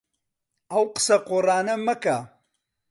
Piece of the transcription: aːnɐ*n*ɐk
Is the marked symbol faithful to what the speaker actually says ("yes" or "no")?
no